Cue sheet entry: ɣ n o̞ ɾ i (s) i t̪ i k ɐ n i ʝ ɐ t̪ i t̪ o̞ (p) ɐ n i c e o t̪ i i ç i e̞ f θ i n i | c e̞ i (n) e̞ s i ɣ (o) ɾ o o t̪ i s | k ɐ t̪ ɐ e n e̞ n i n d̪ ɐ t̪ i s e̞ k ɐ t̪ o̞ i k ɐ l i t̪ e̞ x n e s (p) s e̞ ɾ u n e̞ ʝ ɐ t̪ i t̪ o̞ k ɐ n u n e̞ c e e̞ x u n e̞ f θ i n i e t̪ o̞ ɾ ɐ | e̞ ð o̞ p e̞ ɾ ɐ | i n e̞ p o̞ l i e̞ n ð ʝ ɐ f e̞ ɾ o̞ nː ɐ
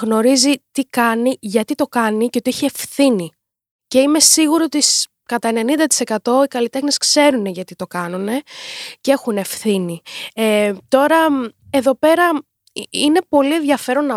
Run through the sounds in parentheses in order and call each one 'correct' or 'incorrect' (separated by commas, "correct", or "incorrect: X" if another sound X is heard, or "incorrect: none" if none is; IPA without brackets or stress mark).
incorrect: z, incorrect: k, incorrect: m, incorrect: u, incorrect: k